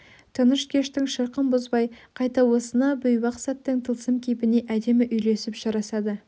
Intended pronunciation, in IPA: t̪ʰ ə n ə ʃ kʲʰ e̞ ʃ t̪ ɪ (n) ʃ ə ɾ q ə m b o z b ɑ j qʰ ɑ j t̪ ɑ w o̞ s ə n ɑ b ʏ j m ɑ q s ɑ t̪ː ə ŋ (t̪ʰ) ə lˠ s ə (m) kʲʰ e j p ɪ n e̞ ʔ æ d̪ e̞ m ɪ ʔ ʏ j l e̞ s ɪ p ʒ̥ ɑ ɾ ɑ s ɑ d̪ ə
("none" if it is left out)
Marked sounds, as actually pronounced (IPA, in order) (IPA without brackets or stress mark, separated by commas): ŋ, t̪ʰ, m